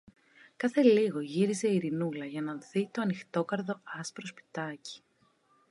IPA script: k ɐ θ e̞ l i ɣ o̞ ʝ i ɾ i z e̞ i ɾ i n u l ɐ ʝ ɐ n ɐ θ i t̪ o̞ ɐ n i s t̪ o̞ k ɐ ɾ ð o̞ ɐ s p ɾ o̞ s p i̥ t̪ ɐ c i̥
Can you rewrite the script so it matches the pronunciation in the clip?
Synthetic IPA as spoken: k ɐ θ e̞ l i ɣ o̞ ʝ i ɾ i z e̞ i ɾ i n u l ɐ ʝ ɐ n ɐ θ i t̪ o̞ ɐ n i x t̪ o̞ k ɐ ɾ ð o̞ ɐ s p ɾ o̞ s p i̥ t̪ ɐ c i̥

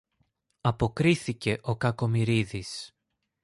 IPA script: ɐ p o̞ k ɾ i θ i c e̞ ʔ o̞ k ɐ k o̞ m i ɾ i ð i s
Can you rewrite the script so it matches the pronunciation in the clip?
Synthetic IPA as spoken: ɐ p o̞ k ɾ i θ i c e̞ ʔ o̞ k ɐ k o̞ m i ɾ i ð i s

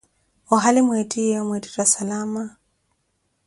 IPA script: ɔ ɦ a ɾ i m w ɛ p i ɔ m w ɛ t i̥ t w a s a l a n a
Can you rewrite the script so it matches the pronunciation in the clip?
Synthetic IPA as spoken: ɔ ɦ a l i m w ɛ t i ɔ m w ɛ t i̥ t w a s a l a m a

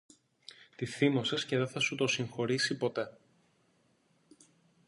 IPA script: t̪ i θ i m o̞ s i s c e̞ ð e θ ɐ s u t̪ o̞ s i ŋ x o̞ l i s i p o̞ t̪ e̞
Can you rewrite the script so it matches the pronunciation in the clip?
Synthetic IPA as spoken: t̪ i θ i m o̞ s e s c e̞ ð e θ ɐ s u t̪ o̞ s i ŋ x o̞ ɾ i s i p o̞ t̪ e̞

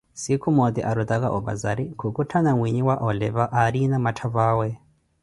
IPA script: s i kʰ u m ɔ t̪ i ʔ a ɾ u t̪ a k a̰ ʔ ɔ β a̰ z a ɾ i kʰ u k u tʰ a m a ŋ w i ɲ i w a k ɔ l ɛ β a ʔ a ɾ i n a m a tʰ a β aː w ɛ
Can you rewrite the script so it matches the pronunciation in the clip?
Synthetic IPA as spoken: s i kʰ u m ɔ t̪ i ʔ a ɾ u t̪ a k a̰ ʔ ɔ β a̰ z a ɾ i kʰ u k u tʰ a n a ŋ w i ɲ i w a ʔ ɔ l ɛ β a ʔ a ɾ i n a m a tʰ a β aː w ɛ

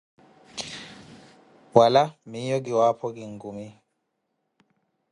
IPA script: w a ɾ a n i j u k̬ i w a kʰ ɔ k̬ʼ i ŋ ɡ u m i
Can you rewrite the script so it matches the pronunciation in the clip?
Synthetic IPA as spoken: w a l a m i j ɔ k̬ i w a pʰ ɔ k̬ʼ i ŋ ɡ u m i

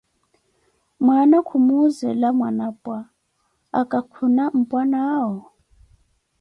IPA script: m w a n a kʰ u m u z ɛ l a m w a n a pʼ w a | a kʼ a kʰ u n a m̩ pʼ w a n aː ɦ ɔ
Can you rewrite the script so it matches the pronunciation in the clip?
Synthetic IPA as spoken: m w a n a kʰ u m u z ɛ l a m w a n a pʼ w a | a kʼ a kʰ u n a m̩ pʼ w a n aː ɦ ɔ

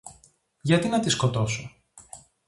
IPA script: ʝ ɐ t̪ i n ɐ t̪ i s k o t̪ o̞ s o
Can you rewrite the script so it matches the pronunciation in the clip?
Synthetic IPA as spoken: ʝ ɐ t̪ i n ɐ t̪ i s k o t̪ o̞ s o

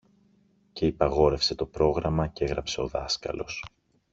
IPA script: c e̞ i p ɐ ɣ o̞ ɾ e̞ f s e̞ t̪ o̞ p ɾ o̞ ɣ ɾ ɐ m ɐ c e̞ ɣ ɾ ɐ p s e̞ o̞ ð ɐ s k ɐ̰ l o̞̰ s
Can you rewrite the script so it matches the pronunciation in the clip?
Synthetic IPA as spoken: c e̞ i p ɐ ɣ o̞ ɾ e̞ f s e̞ t̪ o̞ p ɾ o̞ ɣ ɾ ɐ m ɐ c e̞ ɣ ɾ ɐ p s e̞ o̞ ð ɐ s k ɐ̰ l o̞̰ s

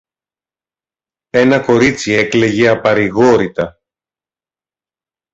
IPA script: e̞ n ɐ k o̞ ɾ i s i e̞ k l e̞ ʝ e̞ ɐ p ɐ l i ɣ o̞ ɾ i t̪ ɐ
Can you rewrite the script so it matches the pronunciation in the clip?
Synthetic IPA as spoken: e̞ n ɐ k o̞ ɾ i t͡s i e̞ k l e̞ ʝ e̞ ɐ p ɐ ɾ i ɣ o̞ ɾ i t̪ ɐ

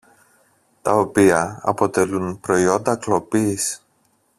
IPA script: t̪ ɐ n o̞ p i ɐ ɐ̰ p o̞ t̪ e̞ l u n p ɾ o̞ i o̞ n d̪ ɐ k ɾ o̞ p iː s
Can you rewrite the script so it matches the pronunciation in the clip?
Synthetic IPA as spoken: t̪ ɐ o̞ p i ɐ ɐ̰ p o̞ t̪ e̞ l u n p ɾ o̞ i o̞ n d̪ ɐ k l o̞ p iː s

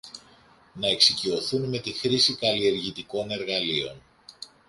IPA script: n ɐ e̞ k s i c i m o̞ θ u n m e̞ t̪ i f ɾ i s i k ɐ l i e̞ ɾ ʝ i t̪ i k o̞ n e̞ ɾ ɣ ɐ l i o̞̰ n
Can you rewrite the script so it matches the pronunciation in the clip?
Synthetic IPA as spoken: n ɐ e̞ k s i c i o̞ θ u n m e̞ t̪ i x ɾ i s i k ɐ l i e̞ ɾ ʝ i t̪ i k o̞ n e̞ ɾ ɣ ɐ l i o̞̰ n

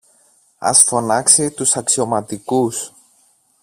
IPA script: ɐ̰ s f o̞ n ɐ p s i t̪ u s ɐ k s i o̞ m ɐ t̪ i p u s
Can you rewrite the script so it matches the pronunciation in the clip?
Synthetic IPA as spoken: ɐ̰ s f o̞ n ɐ k s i t̪ u s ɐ k s i o̞ m ɐ t̪ i k u s

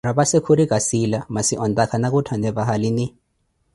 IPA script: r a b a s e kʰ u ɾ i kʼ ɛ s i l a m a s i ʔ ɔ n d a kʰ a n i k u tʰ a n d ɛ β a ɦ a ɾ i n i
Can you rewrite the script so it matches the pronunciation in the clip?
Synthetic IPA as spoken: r a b a s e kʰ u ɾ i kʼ a s i l a m a s i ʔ ɔ n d a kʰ a n a k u tʰ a n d ɛ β a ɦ a l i n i

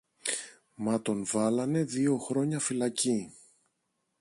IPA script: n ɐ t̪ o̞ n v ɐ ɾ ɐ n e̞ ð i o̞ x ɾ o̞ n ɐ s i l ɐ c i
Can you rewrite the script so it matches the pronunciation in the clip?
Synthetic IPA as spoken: m ɐ t̪ o̞ n v ɐ l ɐ n e̞ ð i o̞ x ɾ o̞ ɲ ɐ f i l ɐ c i

